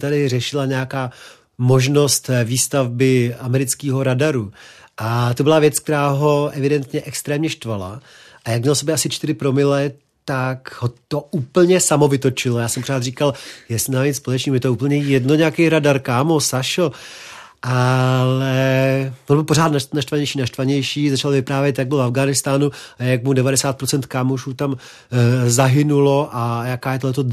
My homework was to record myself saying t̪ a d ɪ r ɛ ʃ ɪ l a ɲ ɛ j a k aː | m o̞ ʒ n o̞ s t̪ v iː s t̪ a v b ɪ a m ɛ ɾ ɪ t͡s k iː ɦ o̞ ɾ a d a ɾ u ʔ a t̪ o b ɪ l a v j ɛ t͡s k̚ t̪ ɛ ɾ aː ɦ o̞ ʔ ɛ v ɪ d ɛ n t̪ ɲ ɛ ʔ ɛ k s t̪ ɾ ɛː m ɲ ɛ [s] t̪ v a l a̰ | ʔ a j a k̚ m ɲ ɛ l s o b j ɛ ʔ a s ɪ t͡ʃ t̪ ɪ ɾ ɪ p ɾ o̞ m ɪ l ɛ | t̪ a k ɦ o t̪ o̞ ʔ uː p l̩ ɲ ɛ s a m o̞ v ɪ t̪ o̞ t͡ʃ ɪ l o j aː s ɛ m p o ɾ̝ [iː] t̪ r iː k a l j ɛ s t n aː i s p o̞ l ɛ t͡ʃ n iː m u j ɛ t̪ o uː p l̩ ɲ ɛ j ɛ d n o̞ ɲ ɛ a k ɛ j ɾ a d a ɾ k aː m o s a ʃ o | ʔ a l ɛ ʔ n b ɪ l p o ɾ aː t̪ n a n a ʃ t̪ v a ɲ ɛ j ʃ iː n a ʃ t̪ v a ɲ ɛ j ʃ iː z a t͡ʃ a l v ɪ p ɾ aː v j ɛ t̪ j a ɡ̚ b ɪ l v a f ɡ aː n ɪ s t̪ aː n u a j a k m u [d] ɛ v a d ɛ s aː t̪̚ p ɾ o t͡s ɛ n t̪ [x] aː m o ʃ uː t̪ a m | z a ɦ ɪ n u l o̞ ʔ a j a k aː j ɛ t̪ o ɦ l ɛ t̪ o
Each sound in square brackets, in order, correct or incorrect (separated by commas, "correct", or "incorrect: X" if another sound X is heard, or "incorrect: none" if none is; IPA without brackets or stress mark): incorrect: ʃ, incorrect: aː, correct, incorrect: k